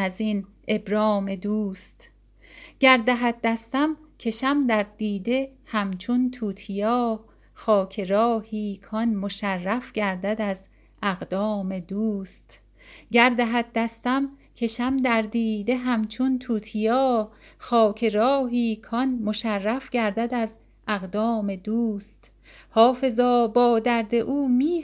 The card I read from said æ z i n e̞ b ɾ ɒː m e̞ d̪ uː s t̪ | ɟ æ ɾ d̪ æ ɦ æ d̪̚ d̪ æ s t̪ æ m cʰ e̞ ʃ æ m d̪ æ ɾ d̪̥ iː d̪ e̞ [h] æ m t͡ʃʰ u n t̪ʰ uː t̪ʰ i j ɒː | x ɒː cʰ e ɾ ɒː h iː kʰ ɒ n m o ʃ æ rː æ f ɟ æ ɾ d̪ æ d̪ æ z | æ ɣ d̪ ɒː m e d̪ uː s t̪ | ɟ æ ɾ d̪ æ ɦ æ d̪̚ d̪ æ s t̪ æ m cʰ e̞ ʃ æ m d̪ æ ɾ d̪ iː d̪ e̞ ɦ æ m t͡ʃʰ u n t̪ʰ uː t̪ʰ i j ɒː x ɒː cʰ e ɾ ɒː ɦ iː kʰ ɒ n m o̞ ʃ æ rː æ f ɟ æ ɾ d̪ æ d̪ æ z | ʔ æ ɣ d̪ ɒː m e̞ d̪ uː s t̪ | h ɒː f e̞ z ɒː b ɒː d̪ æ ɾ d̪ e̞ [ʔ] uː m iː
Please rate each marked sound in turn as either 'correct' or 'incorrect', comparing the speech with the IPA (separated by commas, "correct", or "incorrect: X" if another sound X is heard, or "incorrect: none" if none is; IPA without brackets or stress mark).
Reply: correct, correct